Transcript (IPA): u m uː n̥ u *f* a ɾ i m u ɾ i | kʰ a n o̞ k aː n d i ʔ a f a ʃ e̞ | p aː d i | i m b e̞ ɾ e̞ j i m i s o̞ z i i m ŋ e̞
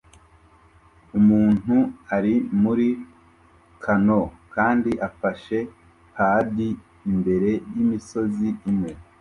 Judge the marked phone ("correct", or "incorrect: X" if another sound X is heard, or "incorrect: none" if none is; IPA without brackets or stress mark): incorrect: none